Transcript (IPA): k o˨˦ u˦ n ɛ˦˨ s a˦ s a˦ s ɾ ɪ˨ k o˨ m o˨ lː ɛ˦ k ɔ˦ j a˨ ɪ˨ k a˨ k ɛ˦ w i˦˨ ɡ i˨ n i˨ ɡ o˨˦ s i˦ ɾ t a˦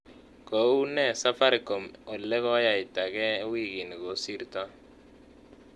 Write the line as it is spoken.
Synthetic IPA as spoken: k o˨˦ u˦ n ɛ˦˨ s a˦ f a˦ ɾ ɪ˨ k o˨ m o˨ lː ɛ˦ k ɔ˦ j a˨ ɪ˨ t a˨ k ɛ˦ w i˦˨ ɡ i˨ n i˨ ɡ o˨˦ s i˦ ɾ t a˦